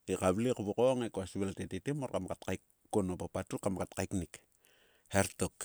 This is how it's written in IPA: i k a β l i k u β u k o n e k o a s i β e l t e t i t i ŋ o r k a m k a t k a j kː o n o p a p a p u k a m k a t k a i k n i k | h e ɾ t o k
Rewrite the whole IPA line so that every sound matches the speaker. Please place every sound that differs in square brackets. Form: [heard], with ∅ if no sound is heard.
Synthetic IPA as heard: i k a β l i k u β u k o [ŋ] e k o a s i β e l t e t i t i [m] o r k a m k a t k a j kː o n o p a p a [t] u k a m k a t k a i k n i k | h e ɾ t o k